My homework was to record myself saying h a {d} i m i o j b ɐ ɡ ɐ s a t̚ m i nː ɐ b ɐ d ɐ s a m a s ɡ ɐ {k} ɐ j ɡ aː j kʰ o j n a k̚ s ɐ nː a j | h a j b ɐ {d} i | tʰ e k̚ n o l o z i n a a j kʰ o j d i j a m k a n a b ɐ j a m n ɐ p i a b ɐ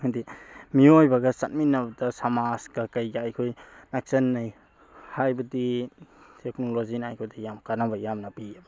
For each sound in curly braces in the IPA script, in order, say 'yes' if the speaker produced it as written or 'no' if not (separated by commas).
yes, yes, yes